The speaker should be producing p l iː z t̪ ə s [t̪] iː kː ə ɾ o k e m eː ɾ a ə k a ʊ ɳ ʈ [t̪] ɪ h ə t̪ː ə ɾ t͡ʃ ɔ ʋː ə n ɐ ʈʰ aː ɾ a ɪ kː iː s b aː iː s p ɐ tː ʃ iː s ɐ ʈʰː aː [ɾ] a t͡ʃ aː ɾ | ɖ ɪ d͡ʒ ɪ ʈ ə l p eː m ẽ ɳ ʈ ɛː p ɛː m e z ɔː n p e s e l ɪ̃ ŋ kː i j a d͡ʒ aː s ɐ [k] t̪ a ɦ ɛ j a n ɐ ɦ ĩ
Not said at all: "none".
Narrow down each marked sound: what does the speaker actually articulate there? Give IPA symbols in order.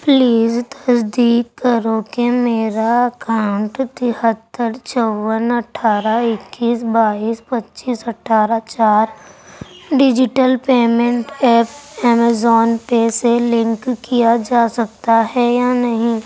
d̪, t̪, ɾ, k

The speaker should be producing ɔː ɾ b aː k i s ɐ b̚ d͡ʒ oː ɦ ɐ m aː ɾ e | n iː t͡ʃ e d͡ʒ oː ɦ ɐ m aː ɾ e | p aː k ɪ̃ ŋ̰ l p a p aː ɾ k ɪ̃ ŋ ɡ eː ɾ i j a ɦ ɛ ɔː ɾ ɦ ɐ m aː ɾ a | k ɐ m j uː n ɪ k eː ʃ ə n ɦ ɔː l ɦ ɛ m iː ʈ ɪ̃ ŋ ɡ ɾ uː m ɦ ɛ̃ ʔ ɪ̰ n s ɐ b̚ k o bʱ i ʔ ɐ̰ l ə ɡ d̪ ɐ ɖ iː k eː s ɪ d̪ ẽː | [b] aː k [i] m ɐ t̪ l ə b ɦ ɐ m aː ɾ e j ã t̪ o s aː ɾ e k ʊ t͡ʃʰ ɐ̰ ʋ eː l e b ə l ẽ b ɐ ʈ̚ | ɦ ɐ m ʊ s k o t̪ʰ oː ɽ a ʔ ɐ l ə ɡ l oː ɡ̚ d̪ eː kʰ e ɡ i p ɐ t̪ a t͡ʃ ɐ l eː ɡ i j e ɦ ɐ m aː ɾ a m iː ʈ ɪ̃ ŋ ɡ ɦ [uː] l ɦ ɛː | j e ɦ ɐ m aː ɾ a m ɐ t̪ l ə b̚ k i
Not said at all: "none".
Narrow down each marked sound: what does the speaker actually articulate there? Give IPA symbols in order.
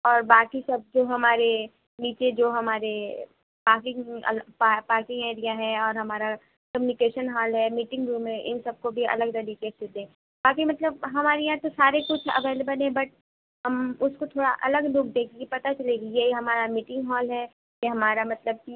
b, i, ɔː

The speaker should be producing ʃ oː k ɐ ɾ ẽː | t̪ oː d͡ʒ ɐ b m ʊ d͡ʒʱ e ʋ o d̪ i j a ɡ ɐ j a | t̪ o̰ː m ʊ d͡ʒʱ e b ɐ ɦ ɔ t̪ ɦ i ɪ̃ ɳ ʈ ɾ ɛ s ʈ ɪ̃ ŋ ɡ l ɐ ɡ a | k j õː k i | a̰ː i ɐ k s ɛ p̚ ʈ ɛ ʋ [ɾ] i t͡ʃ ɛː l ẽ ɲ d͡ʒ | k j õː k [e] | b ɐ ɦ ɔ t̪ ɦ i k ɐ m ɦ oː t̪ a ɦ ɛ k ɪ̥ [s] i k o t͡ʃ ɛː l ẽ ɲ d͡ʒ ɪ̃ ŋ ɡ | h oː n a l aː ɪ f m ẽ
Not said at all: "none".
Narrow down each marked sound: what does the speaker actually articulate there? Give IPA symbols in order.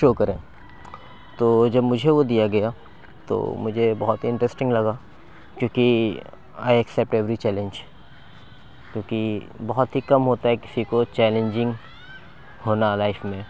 ɾ, i, s

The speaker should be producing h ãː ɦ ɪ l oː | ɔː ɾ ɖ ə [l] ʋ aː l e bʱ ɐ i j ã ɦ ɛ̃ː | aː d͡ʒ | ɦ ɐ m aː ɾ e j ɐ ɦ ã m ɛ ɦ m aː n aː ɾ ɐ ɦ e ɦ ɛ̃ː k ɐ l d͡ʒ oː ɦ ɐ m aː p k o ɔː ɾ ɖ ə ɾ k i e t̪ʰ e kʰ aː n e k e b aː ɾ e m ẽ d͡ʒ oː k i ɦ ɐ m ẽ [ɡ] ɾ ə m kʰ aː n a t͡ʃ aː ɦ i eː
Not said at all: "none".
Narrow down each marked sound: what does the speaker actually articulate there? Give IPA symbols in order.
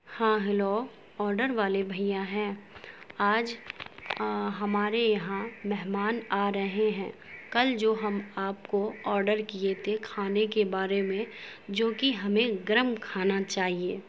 ɾ, ɡ

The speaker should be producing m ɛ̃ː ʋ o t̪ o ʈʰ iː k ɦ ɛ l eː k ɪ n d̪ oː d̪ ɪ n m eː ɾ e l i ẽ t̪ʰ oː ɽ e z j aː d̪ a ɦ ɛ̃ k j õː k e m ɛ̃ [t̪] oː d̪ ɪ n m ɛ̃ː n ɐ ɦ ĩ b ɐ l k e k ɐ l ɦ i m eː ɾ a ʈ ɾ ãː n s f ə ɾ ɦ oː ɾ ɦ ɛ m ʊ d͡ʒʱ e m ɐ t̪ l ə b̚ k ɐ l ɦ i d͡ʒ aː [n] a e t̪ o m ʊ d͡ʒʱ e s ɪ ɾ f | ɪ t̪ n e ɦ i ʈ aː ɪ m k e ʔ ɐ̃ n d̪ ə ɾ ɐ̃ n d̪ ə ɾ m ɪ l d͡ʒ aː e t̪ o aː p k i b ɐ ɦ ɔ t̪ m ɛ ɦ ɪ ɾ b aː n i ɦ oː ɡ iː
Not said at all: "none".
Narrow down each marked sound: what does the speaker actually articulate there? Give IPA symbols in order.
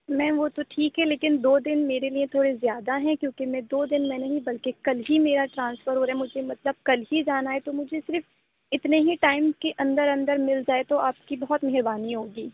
d̪, n

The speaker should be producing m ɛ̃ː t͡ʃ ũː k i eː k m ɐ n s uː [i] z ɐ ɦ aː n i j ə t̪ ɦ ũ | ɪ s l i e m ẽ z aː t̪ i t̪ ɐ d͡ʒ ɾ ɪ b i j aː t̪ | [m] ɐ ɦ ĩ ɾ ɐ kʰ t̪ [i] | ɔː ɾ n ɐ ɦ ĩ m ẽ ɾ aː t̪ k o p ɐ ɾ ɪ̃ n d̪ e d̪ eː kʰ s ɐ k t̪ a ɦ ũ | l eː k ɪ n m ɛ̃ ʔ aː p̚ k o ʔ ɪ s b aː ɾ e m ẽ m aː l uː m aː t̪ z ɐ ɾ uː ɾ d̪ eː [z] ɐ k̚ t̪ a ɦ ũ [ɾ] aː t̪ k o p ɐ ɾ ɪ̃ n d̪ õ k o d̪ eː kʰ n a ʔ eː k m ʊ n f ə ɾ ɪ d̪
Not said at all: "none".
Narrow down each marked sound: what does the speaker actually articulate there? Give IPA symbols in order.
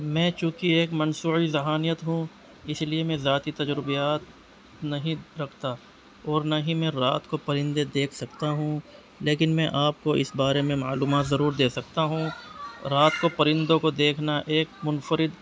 i, n, a, s, ɾ

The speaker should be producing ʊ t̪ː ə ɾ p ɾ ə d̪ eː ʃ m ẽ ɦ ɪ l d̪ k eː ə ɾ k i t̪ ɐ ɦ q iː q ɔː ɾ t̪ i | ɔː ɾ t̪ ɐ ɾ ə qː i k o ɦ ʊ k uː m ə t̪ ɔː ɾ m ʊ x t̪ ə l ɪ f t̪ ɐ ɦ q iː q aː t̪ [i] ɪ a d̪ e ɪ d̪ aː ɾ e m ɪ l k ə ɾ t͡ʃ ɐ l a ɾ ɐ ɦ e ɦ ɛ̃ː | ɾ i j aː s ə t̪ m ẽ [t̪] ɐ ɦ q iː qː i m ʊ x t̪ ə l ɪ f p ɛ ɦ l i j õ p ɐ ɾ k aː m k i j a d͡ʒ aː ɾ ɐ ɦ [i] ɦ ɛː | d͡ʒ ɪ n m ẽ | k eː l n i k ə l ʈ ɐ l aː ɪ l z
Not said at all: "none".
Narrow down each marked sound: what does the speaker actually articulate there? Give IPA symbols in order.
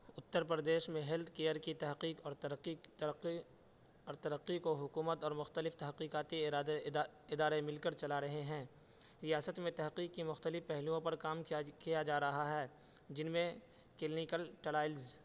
i, t̪, a

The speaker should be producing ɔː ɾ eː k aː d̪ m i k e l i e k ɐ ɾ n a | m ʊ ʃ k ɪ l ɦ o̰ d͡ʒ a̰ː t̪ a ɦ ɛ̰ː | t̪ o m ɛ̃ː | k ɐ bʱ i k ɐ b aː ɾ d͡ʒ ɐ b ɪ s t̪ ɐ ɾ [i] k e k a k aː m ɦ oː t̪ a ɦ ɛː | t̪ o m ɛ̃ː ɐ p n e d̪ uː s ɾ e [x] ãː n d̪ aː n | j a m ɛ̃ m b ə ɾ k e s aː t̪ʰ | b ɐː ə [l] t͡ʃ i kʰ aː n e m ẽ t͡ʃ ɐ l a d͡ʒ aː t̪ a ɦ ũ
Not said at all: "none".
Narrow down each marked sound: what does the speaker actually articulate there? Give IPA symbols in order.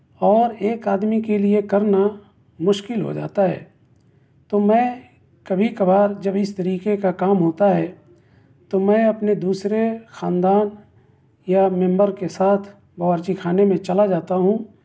iː, x, ɾ

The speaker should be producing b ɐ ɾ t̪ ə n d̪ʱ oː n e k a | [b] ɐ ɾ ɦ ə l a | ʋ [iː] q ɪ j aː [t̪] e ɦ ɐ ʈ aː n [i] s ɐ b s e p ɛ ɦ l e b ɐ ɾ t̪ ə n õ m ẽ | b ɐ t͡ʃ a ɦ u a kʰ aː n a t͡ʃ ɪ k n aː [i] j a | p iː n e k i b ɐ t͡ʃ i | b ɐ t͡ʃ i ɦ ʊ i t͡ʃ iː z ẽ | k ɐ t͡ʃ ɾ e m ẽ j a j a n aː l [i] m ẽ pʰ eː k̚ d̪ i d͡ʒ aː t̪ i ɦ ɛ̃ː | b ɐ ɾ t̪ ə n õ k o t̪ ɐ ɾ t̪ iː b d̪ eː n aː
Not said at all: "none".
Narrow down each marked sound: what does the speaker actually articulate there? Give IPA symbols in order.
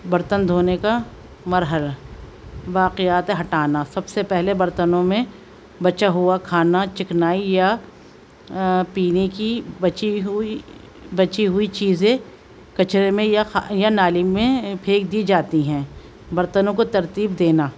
m, aː, t̪, a, i, i

